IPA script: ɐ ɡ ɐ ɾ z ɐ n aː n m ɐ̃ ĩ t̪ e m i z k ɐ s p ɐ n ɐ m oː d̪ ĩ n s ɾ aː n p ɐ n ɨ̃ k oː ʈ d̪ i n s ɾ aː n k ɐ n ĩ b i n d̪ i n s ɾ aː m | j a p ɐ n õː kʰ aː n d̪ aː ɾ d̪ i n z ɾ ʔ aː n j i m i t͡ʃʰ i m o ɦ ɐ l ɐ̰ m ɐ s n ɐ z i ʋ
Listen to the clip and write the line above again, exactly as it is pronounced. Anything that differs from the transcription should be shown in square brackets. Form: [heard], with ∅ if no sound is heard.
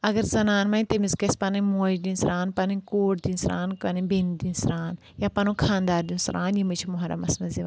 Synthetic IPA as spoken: ɐ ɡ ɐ ɾ z ɐ n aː n m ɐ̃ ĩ t̪ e m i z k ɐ s p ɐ n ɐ m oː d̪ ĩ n s ɾ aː n p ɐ n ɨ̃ k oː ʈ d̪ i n s ɾ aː n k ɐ n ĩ b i n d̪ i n s ɾ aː [n] | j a p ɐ n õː kʰ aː n d̪ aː ɾ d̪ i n [s] ɾ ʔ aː n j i m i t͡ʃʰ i m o ɦ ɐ [ɾ] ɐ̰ m ɐ s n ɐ z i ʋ

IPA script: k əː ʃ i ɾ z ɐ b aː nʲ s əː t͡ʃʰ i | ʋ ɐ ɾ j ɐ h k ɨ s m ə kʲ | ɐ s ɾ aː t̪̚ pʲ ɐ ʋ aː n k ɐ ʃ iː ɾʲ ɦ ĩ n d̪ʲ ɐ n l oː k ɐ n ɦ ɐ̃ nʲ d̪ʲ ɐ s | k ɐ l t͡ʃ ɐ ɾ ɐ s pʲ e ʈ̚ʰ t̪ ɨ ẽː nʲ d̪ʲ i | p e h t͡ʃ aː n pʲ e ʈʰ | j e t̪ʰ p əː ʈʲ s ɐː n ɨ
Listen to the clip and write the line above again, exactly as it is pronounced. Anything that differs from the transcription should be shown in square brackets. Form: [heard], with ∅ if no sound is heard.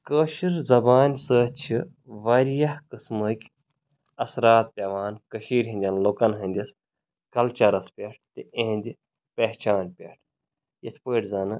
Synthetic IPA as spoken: k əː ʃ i ɾ z ɐ b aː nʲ s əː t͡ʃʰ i | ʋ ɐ ɾ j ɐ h k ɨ s m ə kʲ | ɐ s ɾ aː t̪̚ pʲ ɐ ʋ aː n k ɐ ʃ iː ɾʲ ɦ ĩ n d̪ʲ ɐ n l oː k ɐ n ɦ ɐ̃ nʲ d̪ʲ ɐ s | k ɐ l t͡ʃ ɐ ɾ ɐ s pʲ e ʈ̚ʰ t̪ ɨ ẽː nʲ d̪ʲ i | p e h t͡ʃ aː n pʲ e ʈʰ | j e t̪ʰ p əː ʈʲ [z] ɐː n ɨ

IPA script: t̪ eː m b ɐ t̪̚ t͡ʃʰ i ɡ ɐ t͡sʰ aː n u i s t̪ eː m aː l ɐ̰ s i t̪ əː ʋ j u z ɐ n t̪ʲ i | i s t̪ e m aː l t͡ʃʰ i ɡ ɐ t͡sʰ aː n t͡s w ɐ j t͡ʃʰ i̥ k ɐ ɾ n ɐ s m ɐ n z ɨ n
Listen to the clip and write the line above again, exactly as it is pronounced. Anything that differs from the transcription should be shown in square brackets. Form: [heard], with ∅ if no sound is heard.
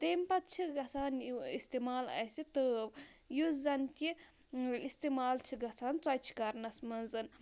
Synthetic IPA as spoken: t̪ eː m [p] ɐ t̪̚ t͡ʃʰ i ɡ ɐ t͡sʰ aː n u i s t̪ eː m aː l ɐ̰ s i t̪ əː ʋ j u z ɐ n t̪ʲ i | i s t̪ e m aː l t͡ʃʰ i ɡ ɐ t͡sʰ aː n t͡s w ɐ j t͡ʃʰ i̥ k ɐ ɾ n ɐ s m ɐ n z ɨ n

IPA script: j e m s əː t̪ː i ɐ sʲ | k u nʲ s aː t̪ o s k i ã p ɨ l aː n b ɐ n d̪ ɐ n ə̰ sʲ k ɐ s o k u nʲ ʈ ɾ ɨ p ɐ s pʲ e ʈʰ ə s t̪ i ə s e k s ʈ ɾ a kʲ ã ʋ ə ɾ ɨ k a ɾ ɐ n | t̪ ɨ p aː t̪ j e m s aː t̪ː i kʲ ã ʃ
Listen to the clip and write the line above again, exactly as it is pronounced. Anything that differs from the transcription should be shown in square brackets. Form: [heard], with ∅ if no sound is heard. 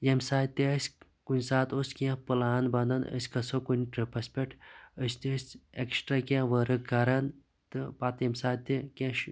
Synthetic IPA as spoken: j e m s [aː] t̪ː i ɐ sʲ | k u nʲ s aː t̪ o s k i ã p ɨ l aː n b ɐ n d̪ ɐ n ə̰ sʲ k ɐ s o k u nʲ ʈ ɾ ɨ p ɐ s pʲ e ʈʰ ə s t̪ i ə s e k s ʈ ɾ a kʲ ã ʋ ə ɾ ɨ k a ɾ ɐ n | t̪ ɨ p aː t̪ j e m s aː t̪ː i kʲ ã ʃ

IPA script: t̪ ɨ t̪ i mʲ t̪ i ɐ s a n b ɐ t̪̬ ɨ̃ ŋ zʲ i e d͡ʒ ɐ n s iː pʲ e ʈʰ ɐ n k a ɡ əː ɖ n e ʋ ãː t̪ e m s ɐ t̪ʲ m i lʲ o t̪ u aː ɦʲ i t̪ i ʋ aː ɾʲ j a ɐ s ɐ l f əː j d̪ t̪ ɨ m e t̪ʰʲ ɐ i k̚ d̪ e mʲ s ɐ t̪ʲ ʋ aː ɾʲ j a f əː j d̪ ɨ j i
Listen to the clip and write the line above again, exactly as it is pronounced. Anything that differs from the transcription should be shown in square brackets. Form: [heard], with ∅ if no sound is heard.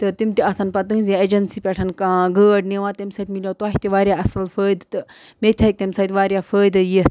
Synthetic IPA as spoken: t̪ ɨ t̪ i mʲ t̪ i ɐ s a n [p] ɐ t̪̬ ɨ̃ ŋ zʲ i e d͡ʒ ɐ n s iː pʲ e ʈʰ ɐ n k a ɡ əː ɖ n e ʋ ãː t̪ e m s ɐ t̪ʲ m i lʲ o t̪ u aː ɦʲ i t̪ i ʋ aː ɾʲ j a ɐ s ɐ l f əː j d̪ t̪ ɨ m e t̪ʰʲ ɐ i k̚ [t̪] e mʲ s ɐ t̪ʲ ʋ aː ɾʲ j a f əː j d̪ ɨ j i

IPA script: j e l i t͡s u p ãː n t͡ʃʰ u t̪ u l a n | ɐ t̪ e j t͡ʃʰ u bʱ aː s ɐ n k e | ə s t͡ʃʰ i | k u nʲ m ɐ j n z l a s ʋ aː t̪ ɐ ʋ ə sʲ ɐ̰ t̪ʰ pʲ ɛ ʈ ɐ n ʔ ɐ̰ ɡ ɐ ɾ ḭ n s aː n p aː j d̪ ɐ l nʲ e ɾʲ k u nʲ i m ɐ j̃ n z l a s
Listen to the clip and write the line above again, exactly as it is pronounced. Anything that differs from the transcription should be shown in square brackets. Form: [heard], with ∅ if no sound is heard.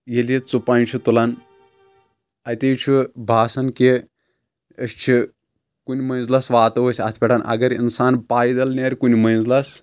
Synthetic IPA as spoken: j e l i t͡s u p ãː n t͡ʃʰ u t̪ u l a n | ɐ t̪ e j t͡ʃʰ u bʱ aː s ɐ n k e | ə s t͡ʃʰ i | k u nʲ m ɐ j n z l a s ʋ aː t̪ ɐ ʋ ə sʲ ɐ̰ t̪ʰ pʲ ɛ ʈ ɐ n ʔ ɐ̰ ɡ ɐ ɾ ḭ n s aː n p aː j d̪ ɐ l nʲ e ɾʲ k u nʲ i m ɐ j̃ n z l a s

